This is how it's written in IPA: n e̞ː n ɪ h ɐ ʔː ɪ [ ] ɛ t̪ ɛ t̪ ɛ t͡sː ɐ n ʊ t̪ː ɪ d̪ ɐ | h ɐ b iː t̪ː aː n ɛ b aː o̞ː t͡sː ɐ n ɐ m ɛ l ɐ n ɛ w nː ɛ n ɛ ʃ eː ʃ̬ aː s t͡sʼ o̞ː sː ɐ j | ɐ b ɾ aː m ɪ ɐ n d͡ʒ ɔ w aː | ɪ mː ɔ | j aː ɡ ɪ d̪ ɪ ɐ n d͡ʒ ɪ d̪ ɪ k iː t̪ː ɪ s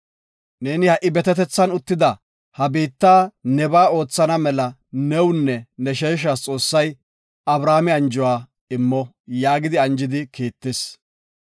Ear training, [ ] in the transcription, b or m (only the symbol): b